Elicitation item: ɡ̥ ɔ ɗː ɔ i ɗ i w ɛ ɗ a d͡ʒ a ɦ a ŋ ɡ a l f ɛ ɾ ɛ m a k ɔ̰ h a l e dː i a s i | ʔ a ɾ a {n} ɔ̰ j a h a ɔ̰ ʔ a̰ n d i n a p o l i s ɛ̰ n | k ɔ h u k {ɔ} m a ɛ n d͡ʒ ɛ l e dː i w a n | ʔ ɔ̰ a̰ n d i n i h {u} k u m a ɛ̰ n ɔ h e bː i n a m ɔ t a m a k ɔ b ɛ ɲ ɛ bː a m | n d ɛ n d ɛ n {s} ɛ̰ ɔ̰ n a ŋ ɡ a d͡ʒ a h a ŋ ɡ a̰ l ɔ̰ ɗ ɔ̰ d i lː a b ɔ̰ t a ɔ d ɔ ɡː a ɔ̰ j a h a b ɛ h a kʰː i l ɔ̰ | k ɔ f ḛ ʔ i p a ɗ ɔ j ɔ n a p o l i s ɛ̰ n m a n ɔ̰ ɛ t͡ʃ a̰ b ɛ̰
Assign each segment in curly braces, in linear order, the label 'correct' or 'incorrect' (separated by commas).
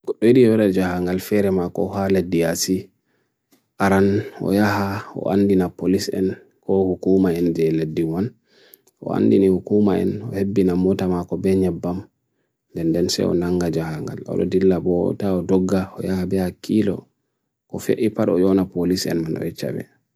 correct, incorrect, correct, correct